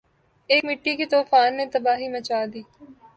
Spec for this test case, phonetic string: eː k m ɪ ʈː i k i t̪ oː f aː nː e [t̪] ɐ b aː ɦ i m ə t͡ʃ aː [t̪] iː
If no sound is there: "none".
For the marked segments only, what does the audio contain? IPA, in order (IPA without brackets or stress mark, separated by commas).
t̪, d̪